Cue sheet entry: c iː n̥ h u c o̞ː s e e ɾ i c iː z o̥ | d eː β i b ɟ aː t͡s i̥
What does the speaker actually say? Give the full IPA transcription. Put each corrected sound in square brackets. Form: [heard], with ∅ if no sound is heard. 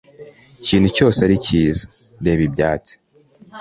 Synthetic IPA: c iː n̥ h u c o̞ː s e [a] ɾ i c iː z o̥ | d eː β i b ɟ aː t͡s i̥